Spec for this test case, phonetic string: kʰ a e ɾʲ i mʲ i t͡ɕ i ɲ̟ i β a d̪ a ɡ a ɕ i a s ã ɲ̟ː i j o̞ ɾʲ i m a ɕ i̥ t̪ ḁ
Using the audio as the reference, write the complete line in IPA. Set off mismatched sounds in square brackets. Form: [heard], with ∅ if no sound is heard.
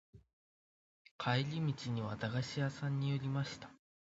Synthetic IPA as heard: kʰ a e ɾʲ i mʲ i t͡ɕ i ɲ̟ i β a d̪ a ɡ a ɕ i a s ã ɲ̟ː i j o̞ ɾʲ i m a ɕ i̥ t̪ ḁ